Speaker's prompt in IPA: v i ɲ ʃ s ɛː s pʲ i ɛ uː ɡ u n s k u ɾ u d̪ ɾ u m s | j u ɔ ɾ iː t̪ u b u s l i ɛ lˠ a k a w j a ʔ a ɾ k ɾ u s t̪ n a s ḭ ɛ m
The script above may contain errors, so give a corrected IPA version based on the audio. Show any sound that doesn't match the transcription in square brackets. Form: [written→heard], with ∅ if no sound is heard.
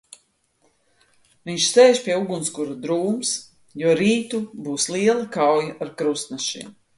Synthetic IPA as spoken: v i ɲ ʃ s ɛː [s→ʃ] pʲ i ɛ [uː→u] ɡ u n s k u ɾ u d̪ ɾ [u→uː] m s | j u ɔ ɾ iː t̪ u b [u→uː] s l i ɛ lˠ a k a w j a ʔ a ɾ k ɾ u s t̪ n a [s→ʃ] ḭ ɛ m